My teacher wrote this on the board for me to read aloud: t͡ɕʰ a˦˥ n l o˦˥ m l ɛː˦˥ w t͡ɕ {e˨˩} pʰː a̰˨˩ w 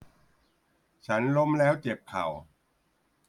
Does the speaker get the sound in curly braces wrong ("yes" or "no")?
no